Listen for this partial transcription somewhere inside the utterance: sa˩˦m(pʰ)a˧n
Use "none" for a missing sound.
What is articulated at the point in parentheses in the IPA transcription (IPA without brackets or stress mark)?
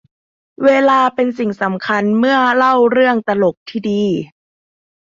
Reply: kʰ